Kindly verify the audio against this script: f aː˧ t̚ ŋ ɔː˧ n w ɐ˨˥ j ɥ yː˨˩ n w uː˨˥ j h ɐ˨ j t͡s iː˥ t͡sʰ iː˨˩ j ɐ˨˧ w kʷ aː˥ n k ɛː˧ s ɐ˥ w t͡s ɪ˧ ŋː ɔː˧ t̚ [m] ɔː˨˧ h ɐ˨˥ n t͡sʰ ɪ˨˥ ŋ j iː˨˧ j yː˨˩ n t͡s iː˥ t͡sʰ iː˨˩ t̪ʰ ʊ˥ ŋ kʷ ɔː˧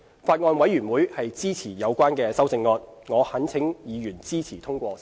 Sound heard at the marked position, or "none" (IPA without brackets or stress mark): ŋ